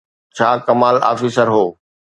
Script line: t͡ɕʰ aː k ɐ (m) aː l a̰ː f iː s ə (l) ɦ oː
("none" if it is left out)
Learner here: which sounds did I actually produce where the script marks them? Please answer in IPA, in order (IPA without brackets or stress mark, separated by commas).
m, ɾ